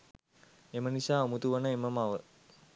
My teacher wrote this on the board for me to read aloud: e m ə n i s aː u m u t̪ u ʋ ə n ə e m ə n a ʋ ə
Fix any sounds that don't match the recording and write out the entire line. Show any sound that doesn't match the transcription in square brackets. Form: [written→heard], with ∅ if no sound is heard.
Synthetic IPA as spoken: e m ə n i s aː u m u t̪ u ʋ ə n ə e m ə [n→m] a ʋ ə